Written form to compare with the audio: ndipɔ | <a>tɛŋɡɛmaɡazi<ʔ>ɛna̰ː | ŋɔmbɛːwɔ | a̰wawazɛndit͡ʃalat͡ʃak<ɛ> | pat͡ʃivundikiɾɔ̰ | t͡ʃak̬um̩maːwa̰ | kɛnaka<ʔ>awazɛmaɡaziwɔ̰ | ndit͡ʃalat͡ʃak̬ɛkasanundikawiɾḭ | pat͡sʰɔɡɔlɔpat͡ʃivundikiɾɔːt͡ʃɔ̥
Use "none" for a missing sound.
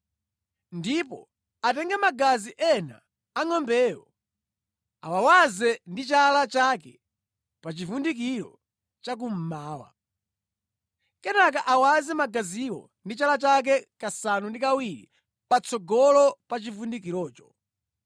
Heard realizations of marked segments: a, ʔ, ɛ, ʔ

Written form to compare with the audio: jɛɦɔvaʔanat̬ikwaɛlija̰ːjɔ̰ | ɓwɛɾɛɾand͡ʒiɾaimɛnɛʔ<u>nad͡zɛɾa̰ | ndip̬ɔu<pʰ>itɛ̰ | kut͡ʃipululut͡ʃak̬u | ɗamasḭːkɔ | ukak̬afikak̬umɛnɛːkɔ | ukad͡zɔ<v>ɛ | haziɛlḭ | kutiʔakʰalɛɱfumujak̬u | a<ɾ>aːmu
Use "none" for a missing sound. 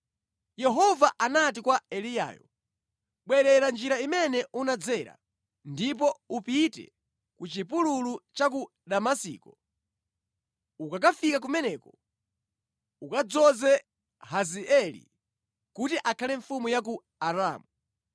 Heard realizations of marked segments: u, p, z, ɾ

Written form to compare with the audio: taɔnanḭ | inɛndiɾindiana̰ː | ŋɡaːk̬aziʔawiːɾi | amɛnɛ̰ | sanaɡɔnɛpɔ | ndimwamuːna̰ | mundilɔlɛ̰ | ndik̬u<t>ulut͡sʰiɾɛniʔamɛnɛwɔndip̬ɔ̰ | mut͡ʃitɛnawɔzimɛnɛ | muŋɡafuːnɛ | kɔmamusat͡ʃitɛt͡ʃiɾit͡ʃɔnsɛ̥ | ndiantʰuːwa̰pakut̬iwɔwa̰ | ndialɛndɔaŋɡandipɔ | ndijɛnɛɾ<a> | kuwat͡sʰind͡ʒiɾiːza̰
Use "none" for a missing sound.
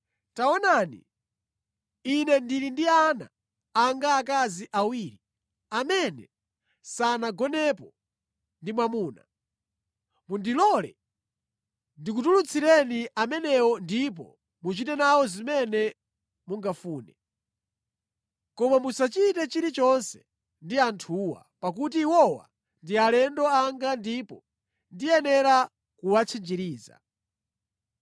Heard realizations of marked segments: t, a

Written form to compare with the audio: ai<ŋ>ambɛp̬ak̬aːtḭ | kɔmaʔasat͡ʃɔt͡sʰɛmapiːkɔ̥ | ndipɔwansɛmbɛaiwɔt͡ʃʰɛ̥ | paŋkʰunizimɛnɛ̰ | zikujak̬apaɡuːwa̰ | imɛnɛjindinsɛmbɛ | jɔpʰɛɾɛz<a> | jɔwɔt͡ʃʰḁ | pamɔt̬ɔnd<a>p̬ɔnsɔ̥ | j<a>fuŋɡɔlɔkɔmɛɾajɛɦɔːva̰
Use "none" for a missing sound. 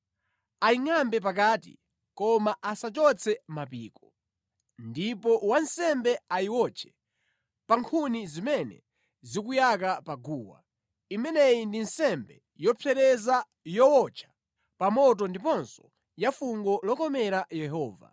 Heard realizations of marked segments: ŋ, a, i, a

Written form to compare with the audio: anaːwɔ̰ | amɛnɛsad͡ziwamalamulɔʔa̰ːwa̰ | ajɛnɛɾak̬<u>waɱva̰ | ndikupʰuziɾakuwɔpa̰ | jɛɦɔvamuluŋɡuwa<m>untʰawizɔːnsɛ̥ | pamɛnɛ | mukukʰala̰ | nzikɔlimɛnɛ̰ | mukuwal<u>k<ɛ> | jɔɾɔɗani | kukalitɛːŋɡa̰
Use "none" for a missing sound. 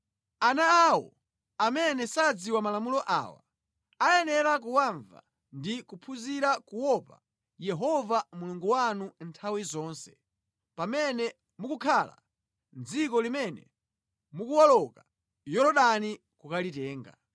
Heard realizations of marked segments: u, n, ɔ, a

